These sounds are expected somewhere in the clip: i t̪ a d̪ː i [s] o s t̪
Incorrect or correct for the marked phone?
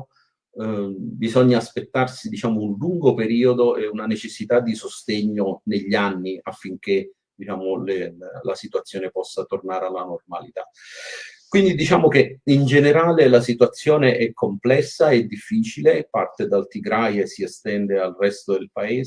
correct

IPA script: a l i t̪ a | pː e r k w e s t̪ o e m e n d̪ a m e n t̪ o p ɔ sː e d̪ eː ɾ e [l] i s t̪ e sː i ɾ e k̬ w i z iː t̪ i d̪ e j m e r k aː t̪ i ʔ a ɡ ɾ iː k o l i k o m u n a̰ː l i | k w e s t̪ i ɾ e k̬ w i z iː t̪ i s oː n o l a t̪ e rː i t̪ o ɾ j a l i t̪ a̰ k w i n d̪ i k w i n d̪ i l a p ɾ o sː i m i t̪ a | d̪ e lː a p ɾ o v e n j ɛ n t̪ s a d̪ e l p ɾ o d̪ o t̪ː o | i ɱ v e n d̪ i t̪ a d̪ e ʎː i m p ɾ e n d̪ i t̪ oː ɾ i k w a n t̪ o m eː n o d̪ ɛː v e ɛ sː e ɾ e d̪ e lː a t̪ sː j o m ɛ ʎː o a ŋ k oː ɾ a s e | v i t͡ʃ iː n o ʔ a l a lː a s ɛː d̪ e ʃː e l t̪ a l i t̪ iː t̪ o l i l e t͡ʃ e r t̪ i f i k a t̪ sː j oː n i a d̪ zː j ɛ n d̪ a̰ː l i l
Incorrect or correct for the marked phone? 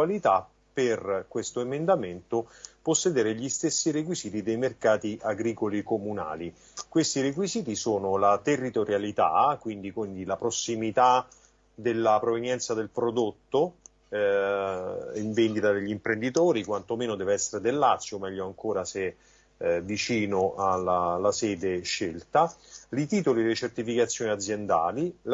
incorrect: ʎ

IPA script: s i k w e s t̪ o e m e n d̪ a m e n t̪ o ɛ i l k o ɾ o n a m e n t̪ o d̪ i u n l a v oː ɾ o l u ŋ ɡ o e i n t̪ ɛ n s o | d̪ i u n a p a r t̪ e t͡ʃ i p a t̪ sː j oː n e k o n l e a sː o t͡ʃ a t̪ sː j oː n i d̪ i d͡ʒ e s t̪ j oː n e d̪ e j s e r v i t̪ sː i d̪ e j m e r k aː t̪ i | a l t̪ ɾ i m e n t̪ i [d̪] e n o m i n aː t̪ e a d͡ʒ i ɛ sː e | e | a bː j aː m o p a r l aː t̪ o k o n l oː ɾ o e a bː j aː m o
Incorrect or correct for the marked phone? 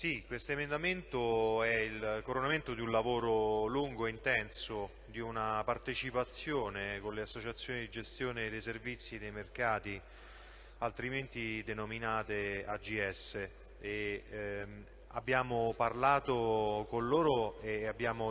correct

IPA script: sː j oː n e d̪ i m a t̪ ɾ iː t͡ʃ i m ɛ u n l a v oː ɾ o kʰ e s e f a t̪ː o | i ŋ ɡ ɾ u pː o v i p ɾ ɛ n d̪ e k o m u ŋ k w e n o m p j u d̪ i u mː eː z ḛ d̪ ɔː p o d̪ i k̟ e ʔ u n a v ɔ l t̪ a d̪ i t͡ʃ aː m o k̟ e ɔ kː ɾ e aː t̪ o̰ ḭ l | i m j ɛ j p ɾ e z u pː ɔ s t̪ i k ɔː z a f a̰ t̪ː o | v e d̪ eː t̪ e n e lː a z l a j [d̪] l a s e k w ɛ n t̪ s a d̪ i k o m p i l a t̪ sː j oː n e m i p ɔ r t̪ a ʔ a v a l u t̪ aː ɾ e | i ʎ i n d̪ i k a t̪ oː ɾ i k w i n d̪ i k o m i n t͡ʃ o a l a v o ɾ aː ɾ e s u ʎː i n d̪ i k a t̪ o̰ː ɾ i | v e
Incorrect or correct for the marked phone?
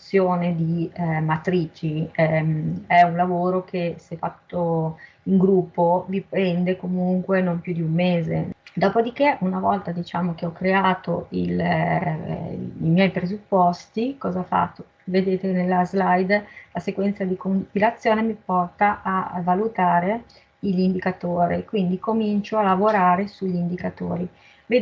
correct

